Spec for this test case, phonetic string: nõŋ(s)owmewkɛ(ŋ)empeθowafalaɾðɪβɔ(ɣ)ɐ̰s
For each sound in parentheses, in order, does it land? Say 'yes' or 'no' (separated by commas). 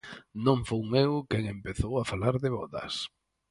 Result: no, yes, no